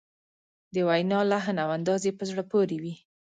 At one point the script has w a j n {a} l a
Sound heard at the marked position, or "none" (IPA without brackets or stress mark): ɑ